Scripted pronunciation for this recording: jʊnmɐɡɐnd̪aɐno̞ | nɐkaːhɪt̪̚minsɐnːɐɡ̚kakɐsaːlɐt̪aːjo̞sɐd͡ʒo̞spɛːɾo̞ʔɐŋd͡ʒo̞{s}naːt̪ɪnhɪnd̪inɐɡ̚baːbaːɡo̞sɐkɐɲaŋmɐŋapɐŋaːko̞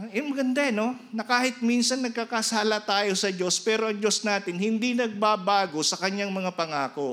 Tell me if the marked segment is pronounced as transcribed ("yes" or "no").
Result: yes